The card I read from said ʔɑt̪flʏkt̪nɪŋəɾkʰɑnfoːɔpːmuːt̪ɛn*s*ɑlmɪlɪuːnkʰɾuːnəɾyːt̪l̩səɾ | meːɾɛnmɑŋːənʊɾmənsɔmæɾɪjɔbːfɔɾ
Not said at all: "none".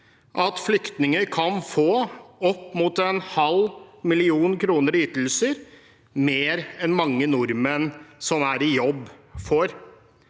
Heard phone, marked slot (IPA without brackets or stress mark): h